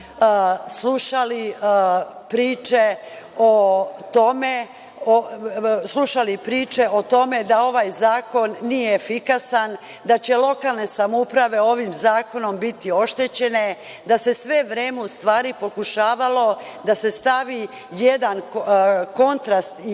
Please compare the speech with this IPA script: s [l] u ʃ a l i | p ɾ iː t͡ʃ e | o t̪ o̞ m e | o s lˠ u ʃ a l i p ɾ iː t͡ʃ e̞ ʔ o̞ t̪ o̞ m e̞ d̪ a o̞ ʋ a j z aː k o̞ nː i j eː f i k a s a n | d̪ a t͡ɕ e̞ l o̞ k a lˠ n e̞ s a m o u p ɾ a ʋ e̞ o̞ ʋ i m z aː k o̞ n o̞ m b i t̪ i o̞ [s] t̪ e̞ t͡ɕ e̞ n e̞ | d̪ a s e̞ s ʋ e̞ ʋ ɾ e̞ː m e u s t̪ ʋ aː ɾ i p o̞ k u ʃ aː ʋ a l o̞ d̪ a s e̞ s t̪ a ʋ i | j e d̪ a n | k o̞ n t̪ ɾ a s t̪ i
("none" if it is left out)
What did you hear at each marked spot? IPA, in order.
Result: l, ʃ

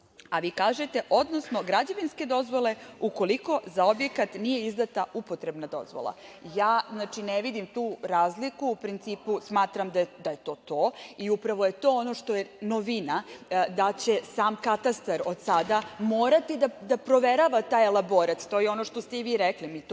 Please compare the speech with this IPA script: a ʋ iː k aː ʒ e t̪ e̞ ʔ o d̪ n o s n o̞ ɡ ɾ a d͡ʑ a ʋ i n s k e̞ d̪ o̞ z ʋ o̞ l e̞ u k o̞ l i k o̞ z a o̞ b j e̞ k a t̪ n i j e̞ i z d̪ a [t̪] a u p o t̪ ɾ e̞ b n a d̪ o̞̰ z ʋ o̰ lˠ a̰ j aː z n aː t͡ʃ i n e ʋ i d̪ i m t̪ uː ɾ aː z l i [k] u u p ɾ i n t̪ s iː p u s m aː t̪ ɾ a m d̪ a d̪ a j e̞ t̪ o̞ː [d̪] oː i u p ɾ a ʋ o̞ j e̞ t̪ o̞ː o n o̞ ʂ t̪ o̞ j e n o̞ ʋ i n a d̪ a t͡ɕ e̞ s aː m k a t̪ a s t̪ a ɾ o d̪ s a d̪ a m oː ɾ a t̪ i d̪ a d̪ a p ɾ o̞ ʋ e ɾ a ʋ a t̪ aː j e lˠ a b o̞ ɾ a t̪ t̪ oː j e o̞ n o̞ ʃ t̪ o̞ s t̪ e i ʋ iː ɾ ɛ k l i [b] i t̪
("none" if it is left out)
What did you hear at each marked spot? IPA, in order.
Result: t̪, k, t̪, m

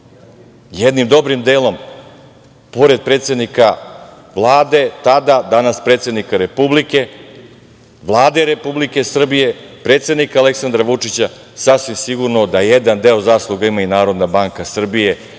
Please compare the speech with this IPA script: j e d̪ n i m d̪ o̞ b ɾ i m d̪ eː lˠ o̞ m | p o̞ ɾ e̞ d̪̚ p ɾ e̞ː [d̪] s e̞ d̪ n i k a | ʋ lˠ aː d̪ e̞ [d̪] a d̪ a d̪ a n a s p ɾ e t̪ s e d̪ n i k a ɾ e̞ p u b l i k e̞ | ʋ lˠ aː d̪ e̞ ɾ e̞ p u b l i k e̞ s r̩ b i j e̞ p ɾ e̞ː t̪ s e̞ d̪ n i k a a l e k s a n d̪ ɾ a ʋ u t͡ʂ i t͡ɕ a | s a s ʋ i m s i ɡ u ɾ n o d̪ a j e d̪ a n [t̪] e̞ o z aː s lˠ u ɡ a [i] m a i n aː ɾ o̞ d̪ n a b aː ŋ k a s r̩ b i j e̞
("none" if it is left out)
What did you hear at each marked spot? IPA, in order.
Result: t̪, t̪, d̪, i

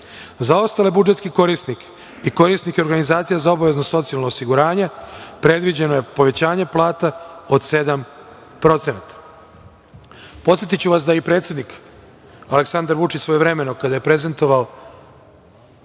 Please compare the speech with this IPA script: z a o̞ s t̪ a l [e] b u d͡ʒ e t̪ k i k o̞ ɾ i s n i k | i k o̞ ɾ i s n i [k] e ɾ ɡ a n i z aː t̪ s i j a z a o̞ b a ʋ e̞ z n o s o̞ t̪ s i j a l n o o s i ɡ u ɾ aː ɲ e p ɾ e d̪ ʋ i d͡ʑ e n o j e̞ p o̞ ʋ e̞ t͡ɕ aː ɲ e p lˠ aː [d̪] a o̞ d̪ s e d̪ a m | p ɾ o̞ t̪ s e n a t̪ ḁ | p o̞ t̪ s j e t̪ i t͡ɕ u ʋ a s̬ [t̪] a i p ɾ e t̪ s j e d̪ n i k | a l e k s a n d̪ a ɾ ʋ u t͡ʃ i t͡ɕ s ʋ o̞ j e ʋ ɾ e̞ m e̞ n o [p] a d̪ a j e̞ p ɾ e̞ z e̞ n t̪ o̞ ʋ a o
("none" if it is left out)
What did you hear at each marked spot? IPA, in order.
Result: e, k, t̪, d̪, k

